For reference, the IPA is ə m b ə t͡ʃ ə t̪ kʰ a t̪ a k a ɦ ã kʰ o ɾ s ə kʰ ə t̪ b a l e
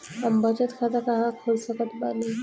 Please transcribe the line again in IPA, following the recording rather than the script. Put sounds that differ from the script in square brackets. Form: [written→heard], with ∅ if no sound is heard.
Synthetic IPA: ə m b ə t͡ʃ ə t̪ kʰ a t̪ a k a ɦ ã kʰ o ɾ s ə [kʰ→k] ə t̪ b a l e

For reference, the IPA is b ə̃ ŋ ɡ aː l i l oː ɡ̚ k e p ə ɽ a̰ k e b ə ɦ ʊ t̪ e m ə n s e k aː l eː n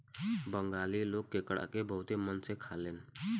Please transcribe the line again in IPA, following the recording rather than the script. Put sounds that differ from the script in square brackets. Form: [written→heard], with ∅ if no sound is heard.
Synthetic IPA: b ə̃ ŋ ɡ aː l i l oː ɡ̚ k e [p→k] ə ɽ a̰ k e b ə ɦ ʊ t̪ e m ə n s e [k→kʰ] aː l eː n

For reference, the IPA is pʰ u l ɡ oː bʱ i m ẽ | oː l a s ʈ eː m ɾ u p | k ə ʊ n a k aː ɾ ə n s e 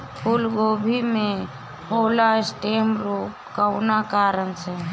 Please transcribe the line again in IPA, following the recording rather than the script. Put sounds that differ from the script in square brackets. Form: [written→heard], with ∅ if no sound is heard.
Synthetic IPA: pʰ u l ɡ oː bʱ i m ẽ | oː l a s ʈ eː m ɾ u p | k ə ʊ n a k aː ɾ ə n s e

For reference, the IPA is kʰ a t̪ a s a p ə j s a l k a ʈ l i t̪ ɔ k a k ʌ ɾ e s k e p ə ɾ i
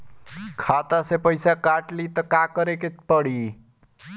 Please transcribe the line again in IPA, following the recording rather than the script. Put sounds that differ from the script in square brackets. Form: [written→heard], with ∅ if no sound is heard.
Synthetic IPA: kʰ a t̪ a s [a→e] p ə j s a [l→∅] k a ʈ l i t̪ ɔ k a k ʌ ɾ e [s→∅] k e p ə [ɾ→ɽ] i

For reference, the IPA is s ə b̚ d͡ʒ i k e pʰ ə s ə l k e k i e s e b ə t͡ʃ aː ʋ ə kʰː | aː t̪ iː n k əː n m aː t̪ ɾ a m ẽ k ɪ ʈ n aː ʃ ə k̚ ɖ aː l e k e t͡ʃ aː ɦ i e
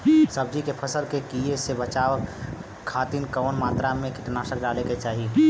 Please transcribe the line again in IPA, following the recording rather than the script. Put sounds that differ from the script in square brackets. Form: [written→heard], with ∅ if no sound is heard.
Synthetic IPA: s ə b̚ d͡ʒ i k e pʰ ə s ə l k e k i e s e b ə t͡ʃ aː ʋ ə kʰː | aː t̪ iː n k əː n m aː t̪ ɾ a m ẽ k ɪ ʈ n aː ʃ ə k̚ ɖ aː l e k e t͡ʃ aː ɦ i e

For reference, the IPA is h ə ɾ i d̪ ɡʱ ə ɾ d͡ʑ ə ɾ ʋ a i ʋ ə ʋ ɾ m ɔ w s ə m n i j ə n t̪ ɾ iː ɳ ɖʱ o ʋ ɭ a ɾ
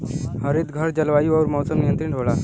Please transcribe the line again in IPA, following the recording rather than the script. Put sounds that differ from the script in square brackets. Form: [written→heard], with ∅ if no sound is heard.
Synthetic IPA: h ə ɾ i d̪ ɡʱ ə ɾ d͡ʑ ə [ɾ→l] ʋ a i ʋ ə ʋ ɾ m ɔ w s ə m n i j ə n t̪ ɾ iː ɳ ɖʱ o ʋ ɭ a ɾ

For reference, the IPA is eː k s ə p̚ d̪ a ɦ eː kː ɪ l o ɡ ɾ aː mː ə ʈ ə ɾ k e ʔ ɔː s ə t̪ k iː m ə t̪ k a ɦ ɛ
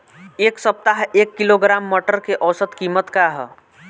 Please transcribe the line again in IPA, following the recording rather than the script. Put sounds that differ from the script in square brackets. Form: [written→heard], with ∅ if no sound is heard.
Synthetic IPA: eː k s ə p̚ [d̪→t̪] a ɦ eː kː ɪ l o ɡ ɾ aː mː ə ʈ ə ɾ k e ʔ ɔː s ə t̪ k iː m ə t̪ k a ɦ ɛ

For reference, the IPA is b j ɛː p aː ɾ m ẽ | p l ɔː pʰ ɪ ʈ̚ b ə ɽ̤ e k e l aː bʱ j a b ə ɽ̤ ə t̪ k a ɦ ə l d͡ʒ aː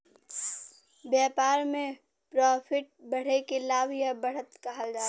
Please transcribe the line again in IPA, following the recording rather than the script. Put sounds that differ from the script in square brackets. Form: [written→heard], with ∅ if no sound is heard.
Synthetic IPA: b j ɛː p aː ɾ m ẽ | p [l→ɾ] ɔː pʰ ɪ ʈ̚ b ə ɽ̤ e k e l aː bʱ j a b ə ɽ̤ ə t̪ k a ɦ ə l d͡ʒ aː

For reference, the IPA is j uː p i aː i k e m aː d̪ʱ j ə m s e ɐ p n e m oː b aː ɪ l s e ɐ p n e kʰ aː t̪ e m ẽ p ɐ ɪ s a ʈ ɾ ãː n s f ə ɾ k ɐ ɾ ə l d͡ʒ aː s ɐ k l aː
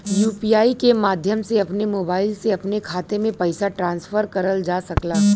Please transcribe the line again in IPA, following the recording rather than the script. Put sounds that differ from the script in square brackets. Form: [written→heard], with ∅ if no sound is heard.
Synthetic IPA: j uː p i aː i k e m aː d̪ʱ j ə m s e ɐ p n e m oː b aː ɪ l s e ɐ p n e kʰ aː t̪ e m ẽ p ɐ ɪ s a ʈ ɾ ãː n s f ə ɾ k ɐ ɾ ə l d͡ʒ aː s ɐ k l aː

